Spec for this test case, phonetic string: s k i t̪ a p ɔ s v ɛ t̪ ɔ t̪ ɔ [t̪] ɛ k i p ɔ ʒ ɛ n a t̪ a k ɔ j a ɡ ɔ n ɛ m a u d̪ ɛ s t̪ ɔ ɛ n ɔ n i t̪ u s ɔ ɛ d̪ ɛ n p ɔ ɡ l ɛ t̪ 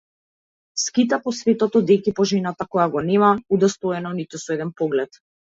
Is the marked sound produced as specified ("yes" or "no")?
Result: no